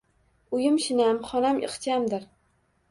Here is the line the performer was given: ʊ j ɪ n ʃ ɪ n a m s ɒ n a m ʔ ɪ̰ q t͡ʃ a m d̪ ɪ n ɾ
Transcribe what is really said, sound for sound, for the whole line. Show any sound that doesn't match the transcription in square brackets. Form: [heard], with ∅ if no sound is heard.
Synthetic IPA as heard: ʊ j ɪ [m] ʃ ɪ n a m [χ] ɒ n a m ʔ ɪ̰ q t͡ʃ a m d̪ ɪ [∅] ɾ